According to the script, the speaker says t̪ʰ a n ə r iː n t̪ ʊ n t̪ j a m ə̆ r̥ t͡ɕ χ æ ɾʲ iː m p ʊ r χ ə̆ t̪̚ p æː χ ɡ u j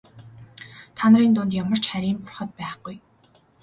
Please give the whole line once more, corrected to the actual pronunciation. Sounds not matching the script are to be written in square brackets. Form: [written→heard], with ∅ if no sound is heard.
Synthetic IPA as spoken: t̪ʰ a n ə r iː n t̪ ʊ n t̪ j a m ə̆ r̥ t͡ɕ χ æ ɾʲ iː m p ʊ r χ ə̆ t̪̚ p æː χ ɡ u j